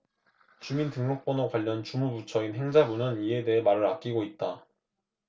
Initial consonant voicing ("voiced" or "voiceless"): voiceless